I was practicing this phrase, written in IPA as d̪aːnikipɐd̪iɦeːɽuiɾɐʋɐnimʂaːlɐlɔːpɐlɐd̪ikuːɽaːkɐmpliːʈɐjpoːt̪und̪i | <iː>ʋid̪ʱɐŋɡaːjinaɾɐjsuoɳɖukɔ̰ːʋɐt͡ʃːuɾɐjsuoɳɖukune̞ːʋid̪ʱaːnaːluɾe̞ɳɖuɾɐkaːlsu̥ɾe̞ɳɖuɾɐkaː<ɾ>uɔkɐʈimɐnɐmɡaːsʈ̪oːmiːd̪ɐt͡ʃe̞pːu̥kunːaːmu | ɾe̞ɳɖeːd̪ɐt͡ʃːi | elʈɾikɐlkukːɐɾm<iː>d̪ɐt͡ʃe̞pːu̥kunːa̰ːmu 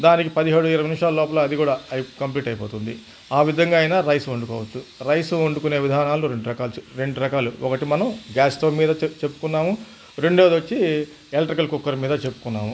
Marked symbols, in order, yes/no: no, no, yes

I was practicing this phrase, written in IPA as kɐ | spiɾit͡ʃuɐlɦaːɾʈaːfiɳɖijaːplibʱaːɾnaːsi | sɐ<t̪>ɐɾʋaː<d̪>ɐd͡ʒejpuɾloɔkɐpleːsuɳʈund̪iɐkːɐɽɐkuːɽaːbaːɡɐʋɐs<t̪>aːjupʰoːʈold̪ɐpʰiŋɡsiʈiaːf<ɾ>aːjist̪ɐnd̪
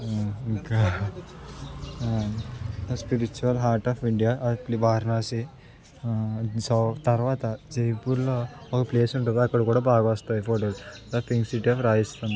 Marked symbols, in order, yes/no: yes, no, yes, yes

